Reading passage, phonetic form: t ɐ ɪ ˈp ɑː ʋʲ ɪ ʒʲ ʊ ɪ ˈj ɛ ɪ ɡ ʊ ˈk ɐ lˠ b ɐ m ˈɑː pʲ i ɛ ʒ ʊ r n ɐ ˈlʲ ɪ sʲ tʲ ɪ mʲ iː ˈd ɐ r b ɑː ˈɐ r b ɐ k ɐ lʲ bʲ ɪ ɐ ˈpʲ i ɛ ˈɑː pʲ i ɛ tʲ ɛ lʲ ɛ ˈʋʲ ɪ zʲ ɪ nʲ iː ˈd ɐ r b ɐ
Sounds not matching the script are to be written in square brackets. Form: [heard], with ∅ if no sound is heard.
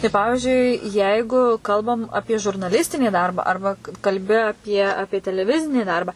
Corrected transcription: t ɐ ɪ ˈp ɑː ʋʲ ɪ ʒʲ ʊ ɪ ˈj ɛ ɪ ɡ ʊ ˈk ɐ lˠ b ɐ m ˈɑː pʲ i ɛ ʒ ʊ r n ɐ ˈlʲ ɪ sʲ tʲ ɪ [nʲ] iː ˈd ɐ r b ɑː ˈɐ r b ɐ k ɐ lʲ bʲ ɪ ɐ ˈpʲ i ɛ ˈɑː pʲ i ɛ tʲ ɛ lʲ ɛ ˈʋʲ ɪ zʲ ɪ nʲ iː ˈd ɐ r b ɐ

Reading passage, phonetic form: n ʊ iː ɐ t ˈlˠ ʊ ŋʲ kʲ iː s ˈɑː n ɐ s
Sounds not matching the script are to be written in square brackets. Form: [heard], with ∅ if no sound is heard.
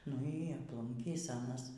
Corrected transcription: n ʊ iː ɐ [p] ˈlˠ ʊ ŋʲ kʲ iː s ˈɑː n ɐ s

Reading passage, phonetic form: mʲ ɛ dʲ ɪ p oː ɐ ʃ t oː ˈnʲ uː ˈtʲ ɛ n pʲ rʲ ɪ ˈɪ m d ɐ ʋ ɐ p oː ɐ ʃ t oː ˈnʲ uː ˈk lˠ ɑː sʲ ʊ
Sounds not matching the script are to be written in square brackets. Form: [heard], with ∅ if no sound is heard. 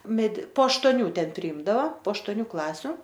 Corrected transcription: mʲ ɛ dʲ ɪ p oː ɐ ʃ t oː ˈnʲ uː ˈtʲ ɛ n pʲ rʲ ɪ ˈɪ m d ɐ ʋ ɐ p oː ɐ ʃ t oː ˈnʲ uː ˈk lˠ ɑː sʲ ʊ

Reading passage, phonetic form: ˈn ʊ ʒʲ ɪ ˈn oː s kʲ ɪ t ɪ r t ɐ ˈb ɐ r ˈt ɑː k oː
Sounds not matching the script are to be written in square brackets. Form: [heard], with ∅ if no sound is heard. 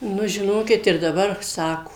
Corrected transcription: ˈn ʊ ʒʲ ɪ ˈn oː [∅] kʲ ɪ t ɪ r [d] ɐ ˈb ɐ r [ˈs] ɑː k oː

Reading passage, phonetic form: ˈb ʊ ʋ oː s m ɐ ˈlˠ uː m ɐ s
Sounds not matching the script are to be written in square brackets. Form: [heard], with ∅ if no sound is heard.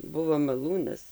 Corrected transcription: ˈb ʊ ʋ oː [∅] m ɐ ˈlˠ uː [n] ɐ s

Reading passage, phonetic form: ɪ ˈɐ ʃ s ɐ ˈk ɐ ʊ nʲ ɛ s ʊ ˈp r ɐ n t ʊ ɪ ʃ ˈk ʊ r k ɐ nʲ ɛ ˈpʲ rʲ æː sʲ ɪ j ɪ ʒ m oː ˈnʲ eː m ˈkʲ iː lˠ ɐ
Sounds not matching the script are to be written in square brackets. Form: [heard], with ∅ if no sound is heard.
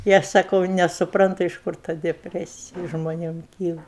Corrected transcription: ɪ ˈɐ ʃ s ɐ ˈk ɐ ʊ nʲ ɛ s ʊ ˈp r ɐ n t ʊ ɪ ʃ ˈk ʊ r [t] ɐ [dʲ] ɛ ˈpʲ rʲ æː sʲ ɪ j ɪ ʒ m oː ˈnʲ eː m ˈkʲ iː lˠ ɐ

